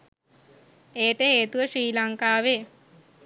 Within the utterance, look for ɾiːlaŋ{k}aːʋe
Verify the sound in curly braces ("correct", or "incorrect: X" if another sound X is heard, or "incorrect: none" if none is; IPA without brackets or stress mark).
correct